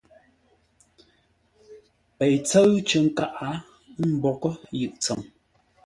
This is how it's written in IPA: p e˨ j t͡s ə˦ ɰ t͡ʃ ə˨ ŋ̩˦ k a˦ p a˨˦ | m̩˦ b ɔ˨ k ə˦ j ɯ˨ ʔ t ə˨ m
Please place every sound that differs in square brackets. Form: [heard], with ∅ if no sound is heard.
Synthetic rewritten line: p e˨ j t͡s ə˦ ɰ t͡ʃ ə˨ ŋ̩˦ k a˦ [ʔ] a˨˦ | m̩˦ b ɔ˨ k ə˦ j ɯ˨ ʔ [t͡s] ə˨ m